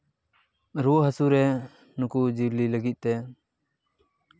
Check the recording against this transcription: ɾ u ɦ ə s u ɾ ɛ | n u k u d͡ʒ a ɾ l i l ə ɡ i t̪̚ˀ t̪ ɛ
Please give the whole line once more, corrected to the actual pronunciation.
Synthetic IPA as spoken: ɾ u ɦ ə s u ɾ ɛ | n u k u d͡ʒ i ɾ l i l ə ɡ i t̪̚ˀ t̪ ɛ